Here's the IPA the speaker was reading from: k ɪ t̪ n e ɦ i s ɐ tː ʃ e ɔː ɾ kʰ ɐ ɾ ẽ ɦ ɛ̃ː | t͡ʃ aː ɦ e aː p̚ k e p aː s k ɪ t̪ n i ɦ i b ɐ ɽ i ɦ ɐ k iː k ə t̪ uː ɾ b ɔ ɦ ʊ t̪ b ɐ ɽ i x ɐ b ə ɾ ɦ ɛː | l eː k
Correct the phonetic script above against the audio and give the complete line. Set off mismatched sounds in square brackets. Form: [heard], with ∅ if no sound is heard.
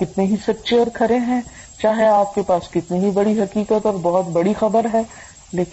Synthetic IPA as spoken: k ɪ t̪ n e ɦ i s ɐ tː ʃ e ɔː ɾ kʰ ɐ ɾ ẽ ɦ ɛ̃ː | t͡ʃ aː ɦ e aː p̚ k e p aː s k ɪ t̪ n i ɦ i b ɐ ɽ i ɦ ɐ k iː k ə t̪ [ɔː] ɾ b ɔ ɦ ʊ t̪ b ɐ ɽ i x ɐ b ə ɾ ɦ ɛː | l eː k